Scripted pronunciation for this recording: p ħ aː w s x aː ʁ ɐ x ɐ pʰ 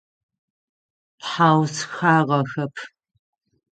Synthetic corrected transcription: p ħ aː w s x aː ʁ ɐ x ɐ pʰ

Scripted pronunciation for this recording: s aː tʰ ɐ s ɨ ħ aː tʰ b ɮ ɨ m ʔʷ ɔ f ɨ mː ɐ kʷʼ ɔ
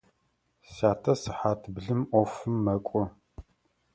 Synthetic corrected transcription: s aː tʰ ɐ s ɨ ħ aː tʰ b ɮ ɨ m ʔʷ ɔ f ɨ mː ɐ kʷʼ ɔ

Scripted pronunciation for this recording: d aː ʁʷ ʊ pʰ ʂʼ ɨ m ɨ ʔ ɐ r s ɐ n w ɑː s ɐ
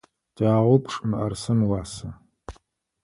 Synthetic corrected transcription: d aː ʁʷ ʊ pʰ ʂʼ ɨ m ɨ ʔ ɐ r s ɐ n w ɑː s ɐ

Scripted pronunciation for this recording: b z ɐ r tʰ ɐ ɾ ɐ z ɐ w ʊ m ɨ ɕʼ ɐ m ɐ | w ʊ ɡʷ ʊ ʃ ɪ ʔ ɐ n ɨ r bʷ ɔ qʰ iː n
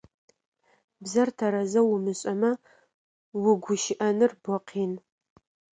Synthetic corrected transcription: b z ɐ r tʰ ɐ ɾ ɐ z ɐ w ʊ m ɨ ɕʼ ɐ m ɐ | w ʊ ɡʷ ʊ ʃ ɪ ʔ ɐ n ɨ r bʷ ɔ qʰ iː n

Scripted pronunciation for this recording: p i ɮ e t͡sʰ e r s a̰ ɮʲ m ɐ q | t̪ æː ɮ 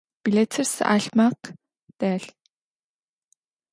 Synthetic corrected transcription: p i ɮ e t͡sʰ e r s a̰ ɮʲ m a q | t̪ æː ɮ

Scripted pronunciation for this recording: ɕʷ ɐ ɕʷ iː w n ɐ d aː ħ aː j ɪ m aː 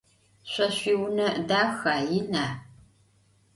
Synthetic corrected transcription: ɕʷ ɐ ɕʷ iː w n ɐ d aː x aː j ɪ n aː

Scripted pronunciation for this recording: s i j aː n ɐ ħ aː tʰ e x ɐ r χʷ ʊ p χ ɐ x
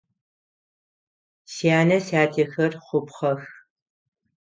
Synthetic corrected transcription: s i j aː n ɐ s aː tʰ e x ɐ r χʷ ʊ p χ ɐ x

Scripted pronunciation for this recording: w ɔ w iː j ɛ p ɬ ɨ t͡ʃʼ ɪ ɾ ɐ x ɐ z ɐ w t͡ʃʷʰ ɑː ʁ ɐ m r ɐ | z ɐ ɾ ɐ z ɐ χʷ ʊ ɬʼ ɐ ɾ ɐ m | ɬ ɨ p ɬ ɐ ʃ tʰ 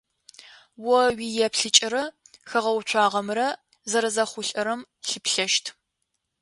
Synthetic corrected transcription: w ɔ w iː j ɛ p ɬ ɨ t͡ʃʼ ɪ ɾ ɐ x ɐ ʁ ɐ w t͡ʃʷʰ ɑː ʁ ɐ m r ɐ | z ɐ ɾ ɐ z ɐ χʷ ʊ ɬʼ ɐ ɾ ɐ m | ɬ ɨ p ɬ ɐ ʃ tʰ

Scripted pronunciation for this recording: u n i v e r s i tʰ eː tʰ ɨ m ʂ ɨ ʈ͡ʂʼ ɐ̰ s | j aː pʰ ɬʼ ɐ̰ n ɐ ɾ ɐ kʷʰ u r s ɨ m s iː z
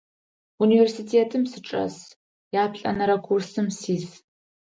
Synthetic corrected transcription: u n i v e r s i tʰ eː tʰ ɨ m s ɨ ʈ͡ʂʼ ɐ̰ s | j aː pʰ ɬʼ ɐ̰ n ɐ ɾ ɐ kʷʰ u r s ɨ m s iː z

